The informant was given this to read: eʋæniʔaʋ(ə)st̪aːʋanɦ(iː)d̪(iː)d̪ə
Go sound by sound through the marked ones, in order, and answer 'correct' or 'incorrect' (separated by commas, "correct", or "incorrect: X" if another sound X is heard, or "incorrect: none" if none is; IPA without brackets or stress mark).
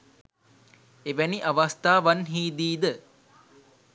incorrect: a, correct, correct